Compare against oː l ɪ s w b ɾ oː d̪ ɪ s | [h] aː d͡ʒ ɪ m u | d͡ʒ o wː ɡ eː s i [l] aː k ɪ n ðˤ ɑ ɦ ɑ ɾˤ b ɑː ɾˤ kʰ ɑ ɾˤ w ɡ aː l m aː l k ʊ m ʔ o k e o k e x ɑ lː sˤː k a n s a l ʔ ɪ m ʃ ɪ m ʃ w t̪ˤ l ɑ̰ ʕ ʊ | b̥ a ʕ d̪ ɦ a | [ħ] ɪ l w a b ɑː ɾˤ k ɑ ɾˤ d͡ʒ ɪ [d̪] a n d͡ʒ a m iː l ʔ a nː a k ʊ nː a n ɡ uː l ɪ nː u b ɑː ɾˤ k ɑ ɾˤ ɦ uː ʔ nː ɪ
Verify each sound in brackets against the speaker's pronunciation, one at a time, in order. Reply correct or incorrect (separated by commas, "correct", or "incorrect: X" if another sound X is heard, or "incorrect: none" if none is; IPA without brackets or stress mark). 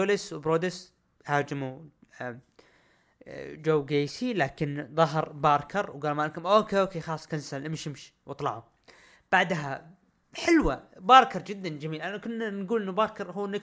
correct, correct, correct, incorrect: d̪ː